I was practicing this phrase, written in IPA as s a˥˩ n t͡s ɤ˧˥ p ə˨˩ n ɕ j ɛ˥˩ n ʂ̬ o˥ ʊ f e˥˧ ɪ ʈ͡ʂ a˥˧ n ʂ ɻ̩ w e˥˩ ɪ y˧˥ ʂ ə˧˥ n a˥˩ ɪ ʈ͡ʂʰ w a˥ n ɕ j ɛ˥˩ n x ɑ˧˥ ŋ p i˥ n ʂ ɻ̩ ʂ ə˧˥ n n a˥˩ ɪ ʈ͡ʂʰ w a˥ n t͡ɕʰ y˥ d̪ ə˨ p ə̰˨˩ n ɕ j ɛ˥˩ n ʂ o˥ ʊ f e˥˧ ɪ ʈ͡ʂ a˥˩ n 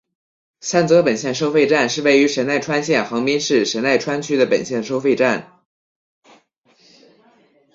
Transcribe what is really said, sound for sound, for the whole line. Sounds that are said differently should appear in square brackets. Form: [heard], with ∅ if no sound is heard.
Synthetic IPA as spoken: s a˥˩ n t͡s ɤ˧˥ p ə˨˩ n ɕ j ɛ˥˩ n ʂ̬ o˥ ʊ f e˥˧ ɪ ʈ͡ʂ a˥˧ n ʂ ɻ̩ w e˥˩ ɪ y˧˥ ʂ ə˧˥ n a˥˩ ɪ ʈ͡ʂʰ w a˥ n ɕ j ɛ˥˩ n x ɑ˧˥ ŋ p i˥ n ʂ ɻ̩ ʂ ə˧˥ n n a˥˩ ɪ ʈ͡ʂʰ w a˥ n t͡ɕʰ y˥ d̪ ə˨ p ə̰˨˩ n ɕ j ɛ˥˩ n ʂ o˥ ʊ f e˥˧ ɪ ʈ͡ʂ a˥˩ n